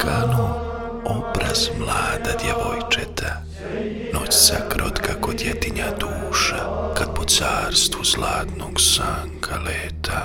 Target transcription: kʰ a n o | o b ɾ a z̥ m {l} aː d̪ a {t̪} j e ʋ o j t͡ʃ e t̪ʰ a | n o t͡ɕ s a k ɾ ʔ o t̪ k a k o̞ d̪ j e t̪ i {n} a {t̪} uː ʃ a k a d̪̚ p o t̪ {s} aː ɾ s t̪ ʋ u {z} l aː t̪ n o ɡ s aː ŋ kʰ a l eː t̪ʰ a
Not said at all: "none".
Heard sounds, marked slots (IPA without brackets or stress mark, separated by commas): l, d̪, ɲ, d̪, s, z